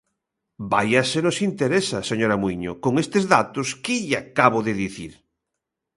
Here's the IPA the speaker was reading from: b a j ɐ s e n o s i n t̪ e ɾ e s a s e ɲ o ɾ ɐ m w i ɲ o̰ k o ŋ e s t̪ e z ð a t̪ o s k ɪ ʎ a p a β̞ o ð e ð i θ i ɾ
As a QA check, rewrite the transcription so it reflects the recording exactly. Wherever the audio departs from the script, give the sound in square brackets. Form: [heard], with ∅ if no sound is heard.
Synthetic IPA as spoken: b a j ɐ s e n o s i n t̪ e ɾ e s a s e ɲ o ɾ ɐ m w i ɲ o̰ k o ŋ e s t̪ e z ð a t̪ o s k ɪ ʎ a [k] a β̞ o ð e ð i θ i ɾ